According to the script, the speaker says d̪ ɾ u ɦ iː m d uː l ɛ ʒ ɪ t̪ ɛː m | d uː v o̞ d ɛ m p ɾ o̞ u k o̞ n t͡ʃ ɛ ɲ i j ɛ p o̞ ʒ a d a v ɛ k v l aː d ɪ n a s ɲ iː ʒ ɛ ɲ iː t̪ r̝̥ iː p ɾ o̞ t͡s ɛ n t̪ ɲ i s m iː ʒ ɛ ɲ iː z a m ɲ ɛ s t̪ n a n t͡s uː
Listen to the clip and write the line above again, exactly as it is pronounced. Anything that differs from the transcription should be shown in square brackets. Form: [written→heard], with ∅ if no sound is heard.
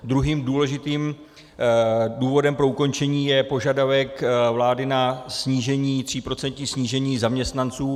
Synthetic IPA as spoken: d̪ ɾ u ɦ iː m d uː l ɛ ʒ ɪ t̪ [ɛː→iː] m | d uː v o̞ d ɛ m p ɾ o̞ u k o̞ n t͡ʃ ɛ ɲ [i→iː] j ɛ p o̞ ʒ a d a v ɛ k v l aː d ɪ n a s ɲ iː ʒ ɛ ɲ iː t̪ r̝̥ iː p ɾ o̞ t͡s ɛ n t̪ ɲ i s [m→ɲ] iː ʒ ɛ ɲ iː z a m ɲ ɛ s t̪ n a n t͡s uː